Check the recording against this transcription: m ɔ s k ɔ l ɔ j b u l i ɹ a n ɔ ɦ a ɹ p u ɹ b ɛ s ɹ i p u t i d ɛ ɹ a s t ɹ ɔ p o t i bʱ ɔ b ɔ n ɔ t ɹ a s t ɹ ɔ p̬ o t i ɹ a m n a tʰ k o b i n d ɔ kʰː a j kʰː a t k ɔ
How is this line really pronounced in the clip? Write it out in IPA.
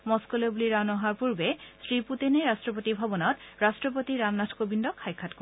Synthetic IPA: m ɔ s k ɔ l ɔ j b u l i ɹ a n ɔ ɦ a ɹ p u ɹ b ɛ s ɹ i p u t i n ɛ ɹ a s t ɹ ɔ p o t i bʱ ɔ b ɔ n ɔ t ɹ a s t ɹ ɔ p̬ o t i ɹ a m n a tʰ k o b i n d ɔ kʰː a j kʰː a t k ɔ